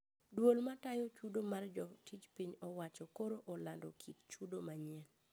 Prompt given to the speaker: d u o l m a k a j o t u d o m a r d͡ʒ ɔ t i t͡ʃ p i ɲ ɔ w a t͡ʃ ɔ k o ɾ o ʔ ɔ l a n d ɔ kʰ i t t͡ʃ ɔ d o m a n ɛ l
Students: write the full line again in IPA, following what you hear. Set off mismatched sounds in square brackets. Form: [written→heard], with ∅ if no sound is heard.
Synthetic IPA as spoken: d [u→w] o l m a [k→t] a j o [t→t͡ʃ] u d o m a r d͡ʒ ɔ t i t͡ʃ p i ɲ ɔ w a t͡ʃ ɔ k o ɾ o ʔ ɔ l a n d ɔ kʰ i t t͡ʃ [ɔ→u] d o m a [n→ɲ] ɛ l